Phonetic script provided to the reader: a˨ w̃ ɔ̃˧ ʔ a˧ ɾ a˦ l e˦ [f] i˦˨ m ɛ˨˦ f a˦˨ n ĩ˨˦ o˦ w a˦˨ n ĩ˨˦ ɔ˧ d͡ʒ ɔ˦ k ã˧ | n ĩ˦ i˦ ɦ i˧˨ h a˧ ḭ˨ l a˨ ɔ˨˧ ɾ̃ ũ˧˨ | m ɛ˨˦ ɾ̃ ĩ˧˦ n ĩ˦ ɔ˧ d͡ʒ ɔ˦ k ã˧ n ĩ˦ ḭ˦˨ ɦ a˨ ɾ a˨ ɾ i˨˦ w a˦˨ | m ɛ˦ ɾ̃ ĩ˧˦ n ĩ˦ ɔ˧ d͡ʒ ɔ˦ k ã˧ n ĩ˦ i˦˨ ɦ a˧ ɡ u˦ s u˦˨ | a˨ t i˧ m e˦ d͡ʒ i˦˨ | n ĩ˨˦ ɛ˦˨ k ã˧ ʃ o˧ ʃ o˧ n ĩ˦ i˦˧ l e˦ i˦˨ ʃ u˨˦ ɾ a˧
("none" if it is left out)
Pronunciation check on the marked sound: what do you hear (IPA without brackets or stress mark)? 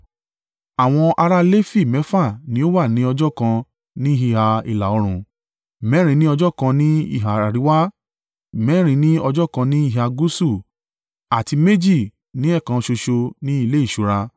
f